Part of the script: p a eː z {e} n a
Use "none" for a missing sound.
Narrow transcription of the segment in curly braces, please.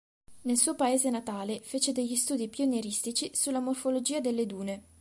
e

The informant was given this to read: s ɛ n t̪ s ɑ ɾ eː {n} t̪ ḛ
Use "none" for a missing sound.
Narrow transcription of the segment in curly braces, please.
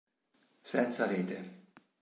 none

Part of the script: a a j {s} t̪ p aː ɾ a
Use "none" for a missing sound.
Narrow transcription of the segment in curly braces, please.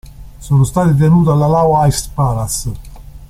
s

